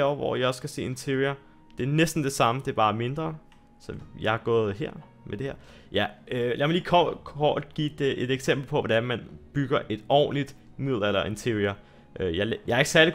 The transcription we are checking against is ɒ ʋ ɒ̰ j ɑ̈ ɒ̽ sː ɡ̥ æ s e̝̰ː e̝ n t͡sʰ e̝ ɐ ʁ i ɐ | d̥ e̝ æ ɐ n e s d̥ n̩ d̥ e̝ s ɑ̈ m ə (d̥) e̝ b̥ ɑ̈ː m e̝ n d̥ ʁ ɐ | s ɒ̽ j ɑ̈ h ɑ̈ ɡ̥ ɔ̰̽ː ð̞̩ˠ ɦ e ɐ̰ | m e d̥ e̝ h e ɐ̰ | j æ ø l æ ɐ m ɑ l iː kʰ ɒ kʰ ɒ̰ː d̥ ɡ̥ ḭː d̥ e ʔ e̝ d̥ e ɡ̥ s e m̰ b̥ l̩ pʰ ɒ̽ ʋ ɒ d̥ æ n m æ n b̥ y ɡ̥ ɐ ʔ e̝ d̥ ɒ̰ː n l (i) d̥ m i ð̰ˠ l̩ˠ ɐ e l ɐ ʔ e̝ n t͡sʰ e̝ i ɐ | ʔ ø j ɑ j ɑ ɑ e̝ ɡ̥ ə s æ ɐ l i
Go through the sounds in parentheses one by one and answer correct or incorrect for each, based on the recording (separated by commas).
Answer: correct, correct